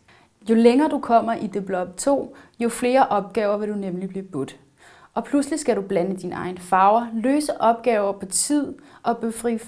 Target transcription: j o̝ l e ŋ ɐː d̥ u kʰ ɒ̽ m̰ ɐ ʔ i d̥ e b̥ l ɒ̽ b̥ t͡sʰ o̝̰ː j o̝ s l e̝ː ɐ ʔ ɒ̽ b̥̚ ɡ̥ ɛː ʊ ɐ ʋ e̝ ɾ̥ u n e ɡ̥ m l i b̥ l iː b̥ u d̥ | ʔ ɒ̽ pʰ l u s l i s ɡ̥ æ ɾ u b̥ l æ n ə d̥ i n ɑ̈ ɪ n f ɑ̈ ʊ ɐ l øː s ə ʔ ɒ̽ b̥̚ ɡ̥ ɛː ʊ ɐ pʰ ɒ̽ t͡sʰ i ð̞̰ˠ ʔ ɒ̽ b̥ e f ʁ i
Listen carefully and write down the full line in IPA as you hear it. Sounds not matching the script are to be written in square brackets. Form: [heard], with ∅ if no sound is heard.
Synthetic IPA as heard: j o̝ l e ŋ ɐː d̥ u kʰ ɒ̽ m̰ ɐ ʔ i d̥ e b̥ l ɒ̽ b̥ t͡sʰ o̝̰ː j o̝ [f] l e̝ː ɐ ʔ ɒ̽ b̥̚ ɡ̥ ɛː ʊ ɐ ʋ e̝ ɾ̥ u n e [∅] m l i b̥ l iː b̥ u d̥ | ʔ ɒ̽ pʰ l u s l i s ɡ̥ æ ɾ u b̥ l æ n ə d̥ i n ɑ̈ ɪ n f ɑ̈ ʊ ɐ l øː s ə ʔ ɒ̽ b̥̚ ɡ̥ ɛː ʊ ɐ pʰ ɒ̽ t͡sʰ i ð̞̰ˠ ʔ ɒ̽ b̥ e f ʁ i